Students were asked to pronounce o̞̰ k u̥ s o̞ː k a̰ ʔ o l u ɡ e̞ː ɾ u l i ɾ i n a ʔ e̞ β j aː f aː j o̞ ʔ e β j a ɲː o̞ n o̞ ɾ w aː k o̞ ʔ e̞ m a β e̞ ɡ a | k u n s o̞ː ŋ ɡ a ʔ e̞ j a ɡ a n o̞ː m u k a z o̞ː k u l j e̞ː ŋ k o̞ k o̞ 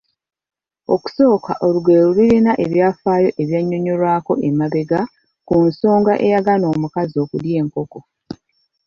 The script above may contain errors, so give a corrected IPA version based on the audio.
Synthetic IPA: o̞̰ k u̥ s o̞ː k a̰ ʔ o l u ɡ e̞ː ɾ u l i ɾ i n a ʔ e̞ β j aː f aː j o̞ ʔ e β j a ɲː o̞ ɲ o̞ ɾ w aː k o̞ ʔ e̞ m a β e̞ ɡ a | k u n s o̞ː ŋ ɡ a ʔ e̞ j a ɡ a n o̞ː m u k a z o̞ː k u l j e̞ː ŋ k o̞ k o̞